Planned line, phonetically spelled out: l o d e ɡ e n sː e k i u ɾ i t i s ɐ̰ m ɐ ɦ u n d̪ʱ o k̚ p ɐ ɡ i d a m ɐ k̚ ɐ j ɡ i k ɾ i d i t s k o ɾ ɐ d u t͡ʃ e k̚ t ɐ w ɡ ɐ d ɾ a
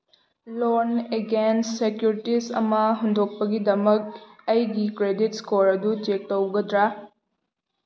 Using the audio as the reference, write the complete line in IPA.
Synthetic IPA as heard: l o n e ɡ e n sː e k j u ɾ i t i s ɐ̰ m ɐ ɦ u n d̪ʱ o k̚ p ɐ ɡ i d ɐ m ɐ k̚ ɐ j ɡ i k ɾ e d i t s k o ɾ ɐ d u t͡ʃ e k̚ t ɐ w ɡ ɐ d ɾ a